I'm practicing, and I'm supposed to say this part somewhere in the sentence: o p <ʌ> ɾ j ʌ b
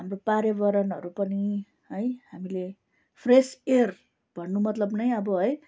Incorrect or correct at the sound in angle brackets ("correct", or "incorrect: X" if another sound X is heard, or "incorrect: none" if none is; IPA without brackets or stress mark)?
incorrect: a